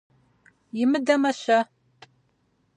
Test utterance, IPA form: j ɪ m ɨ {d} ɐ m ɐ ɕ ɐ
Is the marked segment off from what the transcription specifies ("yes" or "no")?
no